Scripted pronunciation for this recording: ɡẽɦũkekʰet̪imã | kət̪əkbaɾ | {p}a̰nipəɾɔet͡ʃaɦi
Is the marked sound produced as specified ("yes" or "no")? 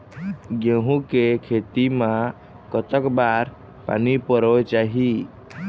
yes